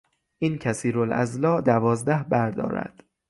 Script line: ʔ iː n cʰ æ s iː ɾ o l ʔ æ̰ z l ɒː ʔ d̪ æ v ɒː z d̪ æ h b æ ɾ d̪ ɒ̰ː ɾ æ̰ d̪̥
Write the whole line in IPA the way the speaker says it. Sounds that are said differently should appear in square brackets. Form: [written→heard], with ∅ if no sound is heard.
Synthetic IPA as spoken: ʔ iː n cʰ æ s iː ɾ o l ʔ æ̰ z l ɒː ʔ d̪ æ v ɒː z d̪ æ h b æ ɾ d̪ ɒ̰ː ɾ æ̰ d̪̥